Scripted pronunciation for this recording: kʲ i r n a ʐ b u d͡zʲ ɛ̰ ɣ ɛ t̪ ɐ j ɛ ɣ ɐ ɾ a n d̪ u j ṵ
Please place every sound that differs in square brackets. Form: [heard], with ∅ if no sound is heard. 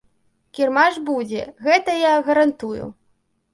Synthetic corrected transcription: kʲ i r [m] a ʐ b u d͡zʲ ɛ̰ ɣ ɛ t̪ ɐ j [a] ɣ ɐ ɾ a n [t̪] u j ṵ